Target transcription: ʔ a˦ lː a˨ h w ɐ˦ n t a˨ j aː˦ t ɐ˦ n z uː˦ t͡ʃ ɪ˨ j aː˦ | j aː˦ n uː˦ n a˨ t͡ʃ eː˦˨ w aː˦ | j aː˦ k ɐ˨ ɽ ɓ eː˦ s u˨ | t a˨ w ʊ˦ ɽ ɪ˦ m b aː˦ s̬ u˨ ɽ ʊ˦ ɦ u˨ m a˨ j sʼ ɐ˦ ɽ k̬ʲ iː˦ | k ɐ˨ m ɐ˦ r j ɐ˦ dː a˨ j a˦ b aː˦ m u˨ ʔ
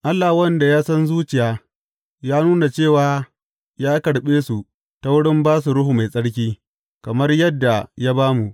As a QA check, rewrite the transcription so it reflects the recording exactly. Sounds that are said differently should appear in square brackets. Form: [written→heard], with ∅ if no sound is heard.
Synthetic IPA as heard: ʔ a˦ lː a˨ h w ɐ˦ n [t→d] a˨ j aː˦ [t→s] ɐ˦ n z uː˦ t͡ʃ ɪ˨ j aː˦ | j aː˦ n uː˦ n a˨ t͡ʃ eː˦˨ w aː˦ | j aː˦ k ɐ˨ ɽ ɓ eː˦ s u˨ | t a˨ w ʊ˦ ɽ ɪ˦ m b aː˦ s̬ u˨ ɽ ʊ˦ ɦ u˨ m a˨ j sʼ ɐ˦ ɽ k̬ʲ iː˦ | k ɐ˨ m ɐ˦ r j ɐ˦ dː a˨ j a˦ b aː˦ m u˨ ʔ